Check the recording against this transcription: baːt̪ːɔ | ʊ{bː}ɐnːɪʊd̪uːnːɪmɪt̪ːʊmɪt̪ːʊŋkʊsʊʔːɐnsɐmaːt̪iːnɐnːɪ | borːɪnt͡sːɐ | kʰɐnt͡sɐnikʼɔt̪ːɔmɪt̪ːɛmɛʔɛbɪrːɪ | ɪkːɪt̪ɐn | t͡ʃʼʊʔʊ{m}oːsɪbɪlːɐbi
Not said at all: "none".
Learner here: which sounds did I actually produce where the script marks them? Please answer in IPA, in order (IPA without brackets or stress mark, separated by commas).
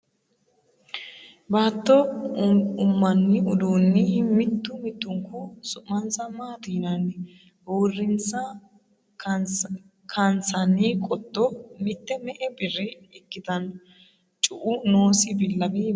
mː, n